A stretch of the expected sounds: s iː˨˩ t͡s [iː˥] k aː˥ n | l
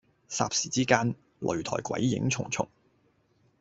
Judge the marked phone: correct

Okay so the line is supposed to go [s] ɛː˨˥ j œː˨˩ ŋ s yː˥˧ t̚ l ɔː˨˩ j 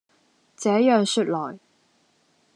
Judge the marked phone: incorrect: t͡s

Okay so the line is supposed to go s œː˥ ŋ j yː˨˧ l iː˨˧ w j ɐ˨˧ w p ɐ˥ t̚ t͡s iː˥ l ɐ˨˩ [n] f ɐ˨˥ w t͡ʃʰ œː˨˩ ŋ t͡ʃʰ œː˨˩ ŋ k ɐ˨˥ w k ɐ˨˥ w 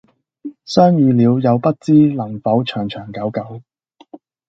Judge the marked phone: incorrect: ŋ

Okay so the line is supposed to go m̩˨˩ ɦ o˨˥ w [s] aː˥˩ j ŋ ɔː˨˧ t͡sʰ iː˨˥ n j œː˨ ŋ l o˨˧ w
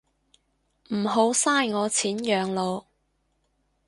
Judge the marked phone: correct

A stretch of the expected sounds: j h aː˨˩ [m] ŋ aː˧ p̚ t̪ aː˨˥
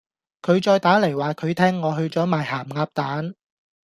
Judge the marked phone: correct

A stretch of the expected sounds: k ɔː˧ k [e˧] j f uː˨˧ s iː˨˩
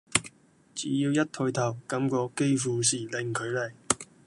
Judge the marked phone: incorrect: e˥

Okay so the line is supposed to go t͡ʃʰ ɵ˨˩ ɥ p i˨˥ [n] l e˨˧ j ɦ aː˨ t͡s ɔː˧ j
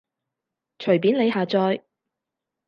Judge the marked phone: correct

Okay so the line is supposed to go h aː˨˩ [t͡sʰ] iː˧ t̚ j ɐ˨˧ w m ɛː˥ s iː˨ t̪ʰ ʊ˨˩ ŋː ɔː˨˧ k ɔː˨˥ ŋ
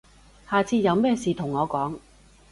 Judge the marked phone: correct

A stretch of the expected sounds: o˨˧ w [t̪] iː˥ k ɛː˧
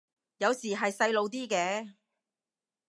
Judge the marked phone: correct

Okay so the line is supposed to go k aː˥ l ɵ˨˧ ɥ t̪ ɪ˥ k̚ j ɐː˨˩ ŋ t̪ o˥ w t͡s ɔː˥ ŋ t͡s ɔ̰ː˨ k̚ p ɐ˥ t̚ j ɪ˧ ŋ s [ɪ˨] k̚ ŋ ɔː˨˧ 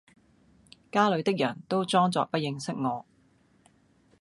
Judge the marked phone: incorrect: ɪ˥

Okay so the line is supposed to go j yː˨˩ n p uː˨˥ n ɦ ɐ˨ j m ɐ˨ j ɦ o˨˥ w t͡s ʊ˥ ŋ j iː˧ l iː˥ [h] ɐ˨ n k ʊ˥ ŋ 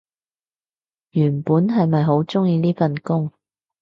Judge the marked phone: incorrect: f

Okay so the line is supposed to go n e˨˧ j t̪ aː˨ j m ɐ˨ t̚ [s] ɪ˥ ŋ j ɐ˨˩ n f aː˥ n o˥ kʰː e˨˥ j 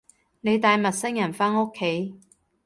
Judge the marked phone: correct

